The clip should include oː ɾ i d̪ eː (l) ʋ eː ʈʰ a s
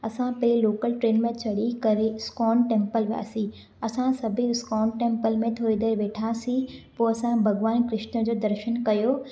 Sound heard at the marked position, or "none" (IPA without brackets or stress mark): ɾ